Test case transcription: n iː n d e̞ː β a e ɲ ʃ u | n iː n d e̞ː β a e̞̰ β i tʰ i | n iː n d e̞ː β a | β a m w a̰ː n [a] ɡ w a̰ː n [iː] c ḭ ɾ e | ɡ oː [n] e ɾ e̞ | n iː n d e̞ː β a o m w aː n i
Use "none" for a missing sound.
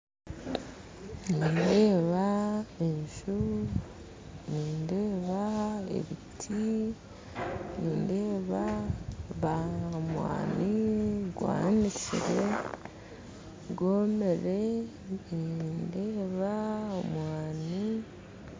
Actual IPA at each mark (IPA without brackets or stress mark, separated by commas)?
i, i, m